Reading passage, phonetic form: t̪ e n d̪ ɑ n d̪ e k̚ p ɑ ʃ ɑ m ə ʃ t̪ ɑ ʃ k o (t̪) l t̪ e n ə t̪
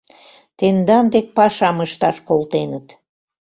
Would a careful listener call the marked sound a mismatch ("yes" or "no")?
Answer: yes